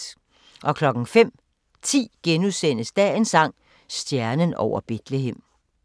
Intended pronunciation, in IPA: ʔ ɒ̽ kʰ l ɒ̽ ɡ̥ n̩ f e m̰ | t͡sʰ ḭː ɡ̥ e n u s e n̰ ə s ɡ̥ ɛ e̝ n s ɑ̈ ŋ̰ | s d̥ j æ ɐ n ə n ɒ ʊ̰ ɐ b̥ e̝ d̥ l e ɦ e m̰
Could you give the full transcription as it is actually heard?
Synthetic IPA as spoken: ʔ ɒ̽ kʰ l ɒ̽ ɡ̥ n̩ f e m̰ | t͡sʰ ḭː ɡ̥ e n u s e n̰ ə s d̥ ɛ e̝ n s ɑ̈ ŋ̰ | s d̥ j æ ɐ n ə n ɒ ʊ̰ ɐ b̥ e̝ d̥ l e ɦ e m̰